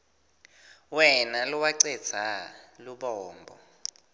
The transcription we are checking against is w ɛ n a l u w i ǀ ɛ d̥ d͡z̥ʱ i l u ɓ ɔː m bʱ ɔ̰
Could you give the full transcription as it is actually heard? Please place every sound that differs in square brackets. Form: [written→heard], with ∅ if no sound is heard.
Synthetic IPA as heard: w ɛ n a l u w [i→a] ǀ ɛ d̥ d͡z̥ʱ [i→a] l u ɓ ɔː m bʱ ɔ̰